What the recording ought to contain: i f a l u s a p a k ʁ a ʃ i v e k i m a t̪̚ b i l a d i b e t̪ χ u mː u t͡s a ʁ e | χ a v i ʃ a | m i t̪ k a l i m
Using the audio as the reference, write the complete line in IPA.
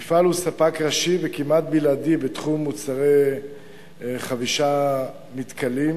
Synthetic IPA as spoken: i f a l u s a p a k ʁ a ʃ i v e k i m a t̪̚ b i l a d i b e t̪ χ u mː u t͡s a ʁ e | χ a v i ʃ a | m i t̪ k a l i m